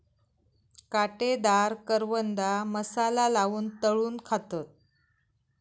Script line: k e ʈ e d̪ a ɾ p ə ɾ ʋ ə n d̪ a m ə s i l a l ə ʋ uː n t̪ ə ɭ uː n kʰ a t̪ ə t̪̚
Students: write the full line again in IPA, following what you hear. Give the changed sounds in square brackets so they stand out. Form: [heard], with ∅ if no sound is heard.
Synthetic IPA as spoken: k [a] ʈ e d̪ a ɾ [k] ə ɾ ʋ ə n d̪ a m ə s [a] l a l [a] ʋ uː n t̪ ə ɭ uː n kʰ a t̪ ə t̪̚